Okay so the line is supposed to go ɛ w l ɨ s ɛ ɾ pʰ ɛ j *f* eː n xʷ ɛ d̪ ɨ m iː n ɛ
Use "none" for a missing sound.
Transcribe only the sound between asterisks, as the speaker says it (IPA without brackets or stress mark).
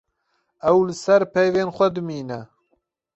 v